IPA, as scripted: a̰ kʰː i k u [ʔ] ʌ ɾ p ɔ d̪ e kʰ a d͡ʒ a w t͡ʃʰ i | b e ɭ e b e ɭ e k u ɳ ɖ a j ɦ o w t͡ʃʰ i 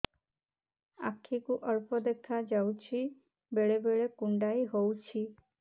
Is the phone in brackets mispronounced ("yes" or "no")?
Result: no